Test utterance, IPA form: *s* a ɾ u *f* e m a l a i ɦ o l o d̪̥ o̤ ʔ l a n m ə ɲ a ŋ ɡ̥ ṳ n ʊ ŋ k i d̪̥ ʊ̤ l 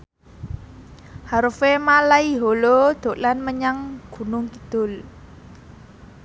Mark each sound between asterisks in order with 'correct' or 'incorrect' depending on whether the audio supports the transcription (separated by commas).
incorrect, correct